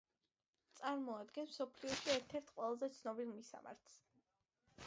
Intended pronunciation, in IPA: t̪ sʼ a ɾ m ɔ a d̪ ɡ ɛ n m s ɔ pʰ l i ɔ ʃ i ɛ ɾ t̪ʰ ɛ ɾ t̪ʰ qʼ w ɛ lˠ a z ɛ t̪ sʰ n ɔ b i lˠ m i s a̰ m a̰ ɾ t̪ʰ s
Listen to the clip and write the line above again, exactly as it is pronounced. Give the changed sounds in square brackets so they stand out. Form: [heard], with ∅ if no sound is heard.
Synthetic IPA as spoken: t̪ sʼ a ɾ m ɔ a d̪ ɡ ɛ n m s ɔ pʰ l i ɔ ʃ i ɛ ɾ t̪ʰ ɛ ɾ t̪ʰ qʼ w ɛ lˠ a z ɛ t̪ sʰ n ɔ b i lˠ m i s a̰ m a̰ ɾ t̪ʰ s